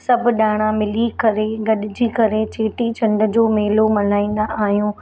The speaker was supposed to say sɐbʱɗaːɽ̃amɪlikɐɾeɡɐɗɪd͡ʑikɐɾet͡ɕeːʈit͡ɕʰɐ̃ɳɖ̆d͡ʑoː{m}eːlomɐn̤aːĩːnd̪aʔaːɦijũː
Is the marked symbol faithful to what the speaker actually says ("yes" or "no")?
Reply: yes